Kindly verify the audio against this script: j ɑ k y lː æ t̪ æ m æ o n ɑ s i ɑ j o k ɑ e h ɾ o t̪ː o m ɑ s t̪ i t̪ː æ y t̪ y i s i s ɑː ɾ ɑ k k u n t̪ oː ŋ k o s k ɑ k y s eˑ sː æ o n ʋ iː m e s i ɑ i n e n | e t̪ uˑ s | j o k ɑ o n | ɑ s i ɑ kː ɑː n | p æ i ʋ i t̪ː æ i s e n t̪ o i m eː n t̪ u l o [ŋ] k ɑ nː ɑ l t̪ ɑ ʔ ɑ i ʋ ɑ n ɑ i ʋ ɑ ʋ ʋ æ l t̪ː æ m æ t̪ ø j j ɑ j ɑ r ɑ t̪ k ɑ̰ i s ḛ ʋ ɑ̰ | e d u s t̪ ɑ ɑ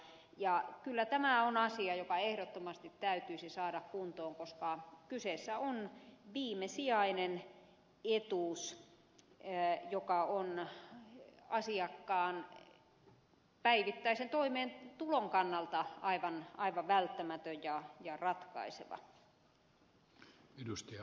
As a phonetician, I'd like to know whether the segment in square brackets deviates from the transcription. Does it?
no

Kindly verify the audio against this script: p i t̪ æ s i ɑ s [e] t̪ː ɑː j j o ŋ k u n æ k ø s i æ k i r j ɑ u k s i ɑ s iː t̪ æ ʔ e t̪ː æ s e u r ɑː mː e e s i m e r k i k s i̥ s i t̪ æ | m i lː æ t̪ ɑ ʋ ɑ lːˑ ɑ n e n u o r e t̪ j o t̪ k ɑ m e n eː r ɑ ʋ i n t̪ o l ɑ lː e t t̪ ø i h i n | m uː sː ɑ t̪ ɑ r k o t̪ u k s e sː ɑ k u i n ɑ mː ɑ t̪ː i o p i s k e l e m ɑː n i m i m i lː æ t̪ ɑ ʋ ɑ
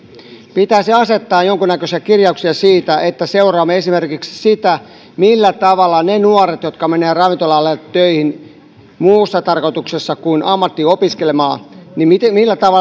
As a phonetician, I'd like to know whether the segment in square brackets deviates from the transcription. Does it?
no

